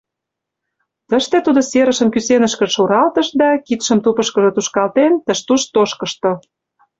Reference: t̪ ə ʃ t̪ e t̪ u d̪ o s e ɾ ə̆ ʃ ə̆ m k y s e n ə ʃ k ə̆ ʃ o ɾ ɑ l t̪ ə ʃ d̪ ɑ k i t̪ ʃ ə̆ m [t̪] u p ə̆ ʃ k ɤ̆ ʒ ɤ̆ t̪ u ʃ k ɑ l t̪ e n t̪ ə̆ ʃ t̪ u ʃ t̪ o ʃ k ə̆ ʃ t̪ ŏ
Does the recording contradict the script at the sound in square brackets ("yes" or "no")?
no